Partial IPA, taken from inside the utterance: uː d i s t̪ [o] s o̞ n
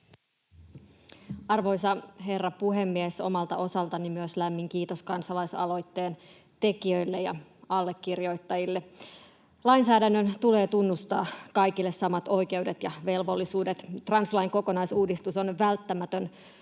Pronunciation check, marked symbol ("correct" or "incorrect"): incorrect